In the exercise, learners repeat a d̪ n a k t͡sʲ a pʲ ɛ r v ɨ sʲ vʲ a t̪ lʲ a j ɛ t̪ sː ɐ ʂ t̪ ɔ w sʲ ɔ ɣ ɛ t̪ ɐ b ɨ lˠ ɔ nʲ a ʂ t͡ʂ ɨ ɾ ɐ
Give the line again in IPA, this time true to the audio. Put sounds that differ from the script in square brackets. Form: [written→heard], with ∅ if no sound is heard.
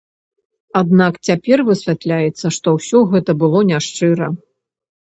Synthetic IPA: a d̪ n a k t͡sʲ a pʲ ɛ r v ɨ sʲ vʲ a t̪ lʲ a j ɛ t̪ sː ɐ ʂ t̪ ɔ w sʲ ɔ ɣ ɛ t̪ ɐ b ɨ lˠ ɔ nʲ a ʂ t͡ʂ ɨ ɾ ɐ